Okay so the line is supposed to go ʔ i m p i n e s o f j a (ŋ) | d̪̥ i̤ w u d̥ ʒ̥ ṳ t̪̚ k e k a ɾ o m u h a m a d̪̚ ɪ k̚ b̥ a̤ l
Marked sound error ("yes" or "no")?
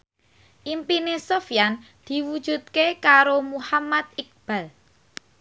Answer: yes